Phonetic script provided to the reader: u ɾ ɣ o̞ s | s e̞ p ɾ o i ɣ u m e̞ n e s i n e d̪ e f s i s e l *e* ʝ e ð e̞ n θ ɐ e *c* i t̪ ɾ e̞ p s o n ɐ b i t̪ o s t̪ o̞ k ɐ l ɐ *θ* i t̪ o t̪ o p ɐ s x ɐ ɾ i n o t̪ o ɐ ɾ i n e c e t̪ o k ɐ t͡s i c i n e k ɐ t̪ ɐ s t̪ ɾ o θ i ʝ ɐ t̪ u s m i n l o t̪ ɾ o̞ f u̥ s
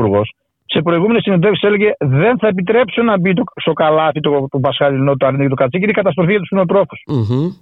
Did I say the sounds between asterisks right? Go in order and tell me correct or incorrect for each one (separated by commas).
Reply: correct, incorrect, correct